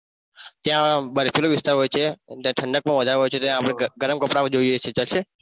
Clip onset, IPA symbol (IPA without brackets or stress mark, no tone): t̪